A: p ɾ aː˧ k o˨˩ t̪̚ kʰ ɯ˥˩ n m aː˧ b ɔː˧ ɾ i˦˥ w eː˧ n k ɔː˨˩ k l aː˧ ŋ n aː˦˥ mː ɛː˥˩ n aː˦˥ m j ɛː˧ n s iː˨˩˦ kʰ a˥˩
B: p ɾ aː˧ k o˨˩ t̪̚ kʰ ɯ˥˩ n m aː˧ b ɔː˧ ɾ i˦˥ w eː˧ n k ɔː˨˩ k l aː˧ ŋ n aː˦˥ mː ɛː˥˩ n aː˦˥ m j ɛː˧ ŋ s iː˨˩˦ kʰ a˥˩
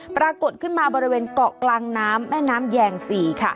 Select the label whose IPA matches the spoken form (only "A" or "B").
B